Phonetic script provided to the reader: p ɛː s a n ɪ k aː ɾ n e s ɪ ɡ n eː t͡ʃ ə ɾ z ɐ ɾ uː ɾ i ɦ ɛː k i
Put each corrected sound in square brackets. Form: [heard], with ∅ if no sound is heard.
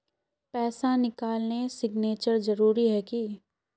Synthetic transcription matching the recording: p ɛː s a n ɪ k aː [l] n e s ɪ ɡ n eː t͡ʃ ə ɾ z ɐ ɾ uː ɾ i ɦ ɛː k i